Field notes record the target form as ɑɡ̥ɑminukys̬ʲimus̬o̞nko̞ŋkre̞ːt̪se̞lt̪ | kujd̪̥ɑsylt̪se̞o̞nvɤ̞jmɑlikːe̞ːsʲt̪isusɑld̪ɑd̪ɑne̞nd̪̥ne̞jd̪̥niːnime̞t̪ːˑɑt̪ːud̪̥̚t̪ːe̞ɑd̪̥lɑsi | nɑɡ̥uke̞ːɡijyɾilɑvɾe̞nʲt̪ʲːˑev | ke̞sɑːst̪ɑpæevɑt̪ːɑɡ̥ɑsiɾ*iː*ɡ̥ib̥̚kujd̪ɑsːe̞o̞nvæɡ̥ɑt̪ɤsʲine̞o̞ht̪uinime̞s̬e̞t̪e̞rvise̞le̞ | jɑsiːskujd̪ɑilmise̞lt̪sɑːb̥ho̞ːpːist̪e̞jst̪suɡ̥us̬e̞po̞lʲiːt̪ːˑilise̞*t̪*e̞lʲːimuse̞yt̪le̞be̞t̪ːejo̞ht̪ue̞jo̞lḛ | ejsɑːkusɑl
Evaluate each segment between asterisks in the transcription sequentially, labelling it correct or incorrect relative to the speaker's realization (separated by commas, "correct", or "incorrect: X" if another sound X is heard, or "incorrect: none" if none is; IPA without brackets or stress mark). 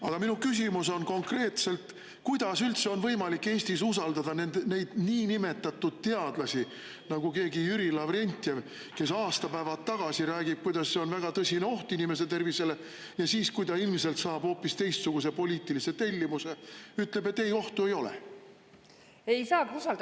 incorrect: æː, correct